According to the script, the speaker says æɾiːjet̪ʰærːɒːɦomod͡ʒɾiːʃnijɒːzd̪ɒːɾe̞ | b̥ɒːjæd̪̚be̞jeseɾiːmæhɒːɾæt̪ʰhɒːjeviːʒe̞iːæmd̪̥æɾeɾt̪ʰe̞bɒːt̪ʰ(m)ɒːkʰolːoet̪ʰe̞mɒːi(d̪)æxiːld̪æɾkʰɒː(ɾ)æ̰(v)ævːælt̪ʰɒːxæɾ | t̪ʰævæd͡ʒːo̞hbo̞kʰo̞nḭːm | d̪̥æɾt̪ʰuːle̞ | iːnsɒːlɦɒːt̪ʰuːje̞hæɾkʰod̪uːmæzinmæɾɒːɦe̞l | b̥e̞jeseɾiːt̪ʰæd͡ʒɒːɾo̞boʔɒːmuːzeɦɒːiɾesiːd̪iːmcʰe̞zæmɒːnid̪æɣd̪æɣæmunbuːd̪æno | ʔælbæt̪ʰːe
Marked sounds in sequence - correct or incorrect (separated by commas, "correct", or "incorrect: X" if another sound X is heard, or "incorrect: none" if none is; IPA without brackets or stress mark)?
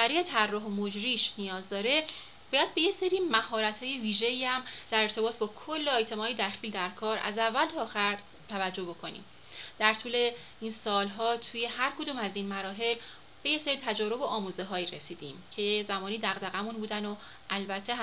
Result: incorrect: b, correct, correct, incorrect: z